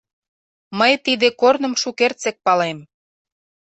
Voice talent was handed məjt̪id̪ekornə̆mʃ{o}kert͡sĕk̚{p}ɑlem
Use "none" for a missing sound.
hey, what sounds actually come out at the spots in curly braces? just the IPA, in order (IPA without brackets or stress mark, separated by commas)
u, p